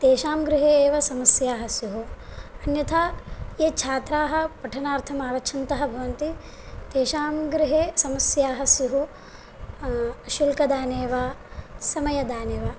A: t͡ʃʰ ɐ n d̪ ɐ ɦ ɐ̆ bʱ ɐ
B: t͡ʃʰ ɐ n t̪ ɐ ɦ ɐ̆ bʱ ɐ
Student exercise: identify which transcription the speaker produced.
B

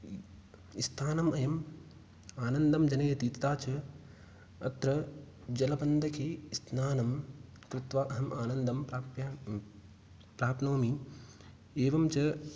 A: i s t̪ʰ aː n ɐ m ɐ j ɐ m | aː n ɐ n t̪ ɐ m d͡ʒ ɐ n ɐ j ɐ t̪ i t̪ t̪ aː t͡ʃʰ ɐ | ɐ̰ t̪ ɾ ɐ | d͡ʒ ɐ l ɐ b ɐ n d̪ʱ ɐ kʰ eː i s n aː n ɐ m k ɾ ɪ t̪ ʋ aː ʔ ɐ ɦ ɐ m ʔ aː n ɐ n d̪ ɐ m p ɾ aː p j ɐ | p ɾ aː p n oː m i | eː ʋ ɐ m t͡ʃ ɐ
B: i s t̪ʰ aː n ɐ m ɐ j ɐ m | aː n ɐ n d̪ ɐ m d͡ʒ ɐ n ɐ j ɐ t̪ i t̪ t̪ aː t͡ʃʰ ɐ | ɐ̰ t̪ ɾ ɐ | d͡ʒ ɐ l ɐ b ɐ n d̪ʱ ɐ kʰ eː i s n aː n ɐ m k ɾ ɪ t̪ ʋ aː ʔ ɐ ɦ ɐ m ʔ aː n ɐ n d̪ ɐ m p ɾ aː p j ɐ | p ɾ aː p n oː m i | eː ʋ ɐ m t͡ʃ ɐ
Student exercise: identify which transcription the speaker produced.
B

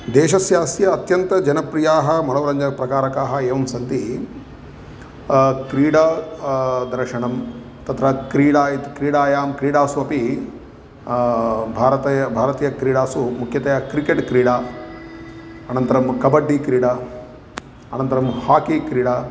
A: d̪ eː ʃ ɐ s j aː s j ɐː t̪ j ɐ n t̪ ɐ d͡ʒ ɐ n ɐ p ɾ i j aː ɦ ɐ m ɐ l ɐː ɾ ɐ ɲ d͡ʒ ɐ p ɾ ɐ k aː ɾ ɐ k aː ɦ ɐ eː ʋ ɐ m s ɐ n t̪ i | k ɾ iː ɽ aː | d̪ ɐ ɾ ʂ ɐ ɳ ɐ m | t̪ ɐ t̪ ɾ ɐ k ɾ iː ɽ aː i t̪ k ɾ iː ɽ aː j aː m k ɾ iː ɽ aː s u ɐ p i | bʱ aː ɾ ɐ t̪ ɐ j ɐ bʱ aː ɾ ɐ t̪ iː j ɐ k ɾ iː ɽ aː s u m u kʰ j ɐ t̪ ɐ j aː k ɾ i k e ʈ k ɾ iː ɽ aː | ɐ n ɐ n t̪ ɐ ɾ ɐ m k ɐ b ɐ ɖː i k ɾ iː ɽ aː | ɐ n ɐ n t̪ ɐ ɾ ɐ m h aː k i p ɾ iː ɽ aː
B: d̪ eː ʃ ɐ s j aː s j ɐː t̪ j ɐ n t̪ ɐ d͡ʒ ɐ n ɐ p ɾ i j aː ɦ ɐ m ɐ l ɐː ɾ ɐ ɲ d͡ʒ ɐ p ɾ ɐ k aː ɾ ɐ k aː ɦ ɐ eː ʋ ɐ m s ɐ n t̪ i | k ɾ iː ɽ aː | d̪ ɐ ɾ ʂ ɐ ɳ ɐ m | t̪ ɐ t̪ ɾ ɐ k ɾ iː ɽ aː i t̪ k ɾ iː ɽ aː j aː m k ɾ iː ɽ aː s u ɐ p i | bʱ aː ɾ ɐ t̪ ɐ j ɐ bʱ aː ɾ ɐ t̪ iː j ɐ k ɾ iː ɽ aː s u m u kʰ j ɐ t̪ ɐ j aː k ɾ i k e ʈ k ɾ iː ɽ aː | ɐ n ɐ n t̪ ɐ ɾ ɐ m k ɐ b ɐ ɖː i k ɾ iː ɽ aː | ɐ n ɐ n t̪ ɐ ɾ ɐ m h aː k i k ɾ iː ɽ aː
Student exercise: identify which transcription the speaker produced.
B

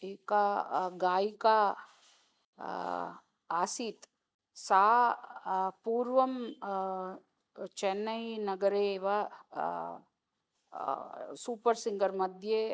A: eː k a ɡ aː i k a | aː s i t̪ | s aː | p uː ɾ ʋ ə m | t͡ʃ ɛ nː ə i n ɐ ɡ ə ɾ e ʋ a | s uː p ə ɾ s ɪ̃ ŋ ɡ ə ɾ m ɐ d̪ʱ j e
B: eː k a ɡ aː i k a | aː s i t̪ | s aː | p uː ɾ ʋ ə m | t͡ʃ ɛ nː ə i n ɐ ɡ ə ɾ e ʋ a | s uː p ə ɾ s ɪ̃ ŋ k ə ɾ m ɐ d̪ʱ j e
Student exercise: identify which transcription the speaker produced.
A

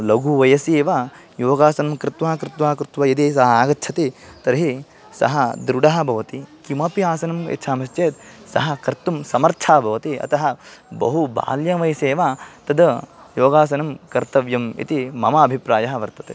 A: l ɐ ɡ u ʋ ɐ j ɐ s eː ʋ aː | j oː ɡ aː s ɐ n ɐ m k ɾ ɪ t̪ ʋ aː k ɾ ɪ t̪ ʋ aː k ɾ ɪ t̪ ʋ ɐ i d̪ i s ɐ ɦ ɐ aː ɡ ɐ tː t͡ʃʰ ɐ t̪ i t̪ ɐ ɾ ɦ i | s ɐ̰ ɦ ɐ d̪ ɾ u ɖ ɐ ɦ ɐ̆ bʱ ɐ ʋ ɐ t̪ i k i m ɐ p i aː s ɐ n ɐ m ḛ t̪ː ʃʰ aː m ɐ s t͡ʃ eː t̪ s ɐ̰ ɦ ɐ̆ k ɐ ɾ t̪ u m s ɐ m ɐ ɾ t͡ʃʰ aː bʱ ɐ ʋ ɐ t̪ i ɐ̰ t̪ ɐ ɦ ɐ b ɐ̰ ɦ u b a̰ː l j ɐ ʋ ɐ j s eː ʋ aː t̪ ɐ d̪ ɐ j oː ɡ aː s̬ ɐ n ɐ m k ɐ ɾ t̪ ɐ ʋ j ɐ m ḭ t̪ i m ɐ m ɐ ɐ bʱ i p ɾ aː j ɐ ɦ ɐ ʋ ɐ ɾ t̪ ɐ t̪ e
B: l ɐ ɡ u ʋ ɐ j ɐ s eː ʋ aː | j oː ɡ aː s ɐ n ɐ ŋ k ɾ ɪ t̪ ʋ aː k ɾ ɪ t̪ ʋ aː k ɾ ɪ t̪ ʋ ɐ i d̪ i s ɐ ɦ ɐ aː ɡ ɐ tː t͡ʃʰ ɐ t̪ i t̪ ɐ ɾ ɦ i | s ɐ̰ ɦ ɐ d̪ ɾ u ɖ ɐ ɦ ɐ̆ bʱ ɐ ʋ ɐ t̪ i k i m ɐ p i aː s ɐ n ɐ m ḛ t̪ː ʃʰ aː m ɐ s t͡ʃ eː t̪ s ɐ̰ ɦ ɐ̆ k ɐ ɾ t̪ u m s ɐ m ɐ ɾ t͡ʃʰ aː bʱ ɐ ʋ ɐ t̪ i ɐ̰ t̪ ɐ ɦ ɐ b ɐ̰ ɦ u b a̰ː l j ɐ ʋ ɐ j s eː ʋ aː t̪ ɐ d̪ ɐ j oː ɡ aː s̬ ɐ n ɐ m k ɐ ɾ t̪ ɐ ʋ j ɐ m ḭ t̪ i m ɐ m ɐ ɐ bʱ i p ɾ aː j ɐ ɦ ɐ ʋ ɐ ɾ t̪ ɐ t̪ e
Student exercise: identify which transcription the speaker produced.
A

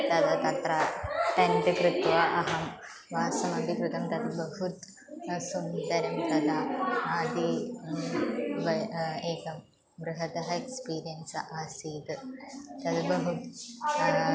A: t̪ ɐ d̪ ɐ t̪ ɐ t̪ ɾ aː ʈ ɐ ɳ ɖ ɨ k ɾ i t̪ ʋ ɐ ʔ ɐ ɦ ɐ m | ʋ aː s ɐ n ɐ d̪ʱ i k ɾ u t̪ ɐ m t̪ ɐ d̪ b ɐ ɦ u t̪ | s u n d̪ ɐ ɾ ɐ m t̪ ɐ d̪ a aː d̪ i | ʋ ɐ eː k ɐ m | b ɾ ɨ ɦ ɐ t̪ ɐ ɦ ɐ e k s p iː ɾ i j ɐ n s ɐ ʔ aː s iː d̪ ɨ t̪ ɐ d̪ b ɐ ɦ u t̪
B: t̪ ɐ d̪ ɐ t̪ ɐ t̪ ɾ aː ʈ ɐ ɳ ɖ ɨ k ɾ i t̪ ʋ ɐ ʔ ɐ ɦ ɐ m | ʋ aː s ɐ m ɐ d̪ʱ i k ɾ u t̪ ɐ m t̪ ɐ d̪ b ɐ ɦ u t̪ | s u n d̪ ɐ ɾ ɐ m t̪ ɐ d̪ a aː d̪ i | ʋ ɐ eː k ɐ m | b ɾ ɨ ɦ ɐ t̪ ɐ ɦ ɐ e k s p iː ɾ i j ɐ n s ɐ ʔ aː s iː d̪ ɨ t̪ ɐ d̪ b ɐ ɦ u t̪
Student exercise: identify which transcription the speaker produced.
B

